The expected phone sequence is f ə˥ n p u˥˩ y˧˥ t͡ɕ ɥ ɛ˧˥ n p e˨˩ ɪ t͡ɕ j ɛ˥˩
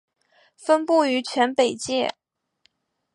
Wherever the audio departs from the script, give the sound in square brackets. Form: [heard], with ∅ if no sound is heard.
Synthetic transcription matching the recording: f ə˥ n p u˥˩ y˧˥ [t͡ɕʰ] ɥ ɛ˧˥ n p e˨˩ ɪ t͡ɕ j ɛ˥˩